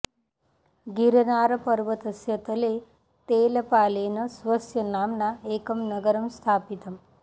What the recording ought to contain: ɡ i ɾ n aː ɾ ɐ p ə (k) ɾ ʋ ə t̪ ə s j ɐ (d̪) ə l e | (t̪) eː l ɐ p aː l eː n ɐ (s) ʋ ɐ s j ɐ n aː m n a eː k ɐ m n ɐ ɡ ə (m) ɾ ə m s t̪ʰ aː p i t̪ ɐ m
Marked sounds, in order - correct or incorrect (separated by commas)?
incorrect, incorrect, correct, correct, incorrect